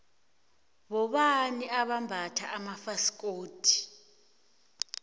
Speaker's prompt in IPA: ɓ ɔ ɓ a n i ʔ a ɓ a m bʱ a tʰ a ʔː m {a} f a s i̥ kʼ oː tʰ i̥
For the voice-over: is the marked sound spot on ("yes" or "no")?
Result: yes